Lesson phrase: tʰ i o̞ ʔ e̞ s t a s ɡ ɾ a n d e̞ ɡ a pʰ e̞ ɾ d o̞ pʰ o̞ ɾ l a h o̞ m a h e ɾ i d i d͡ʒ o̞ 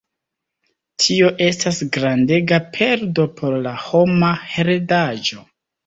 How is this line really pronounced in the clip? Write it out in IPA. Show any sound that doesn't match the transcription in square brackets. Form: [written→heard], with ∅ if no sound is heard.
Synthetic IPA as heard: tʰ i o̞ ʔ e̞ s t a s ɡ ɾ a n d e̞ ɡ a pʰ e̞ ɾ d o̞ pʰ o̞ ɾ l a h o̞ m a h e ɾ [i→e] d [i→a] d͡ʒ o̞